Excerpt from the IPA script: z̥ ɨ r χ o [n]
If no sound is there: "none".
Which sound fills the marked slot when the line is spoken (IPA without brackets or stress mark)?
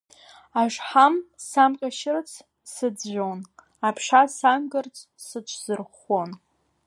n